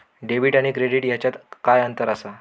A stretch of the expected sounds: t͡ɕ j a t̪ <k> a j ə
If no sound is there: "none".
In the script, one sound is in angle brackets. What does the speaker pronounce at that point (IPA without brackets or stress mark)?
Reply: k